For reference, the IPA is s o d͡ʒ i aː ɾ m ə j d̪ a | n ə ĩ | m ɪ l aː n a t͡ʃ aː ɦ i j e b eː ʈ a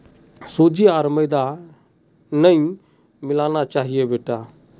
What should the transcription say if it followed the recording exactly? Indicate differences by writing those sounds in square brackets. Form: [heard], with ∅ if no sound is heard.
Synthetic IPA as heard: s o d͡ʒ i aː ɾ m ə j d̪ a | n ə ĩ | m ɪ l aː n a t͡ʃ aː ɦ i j e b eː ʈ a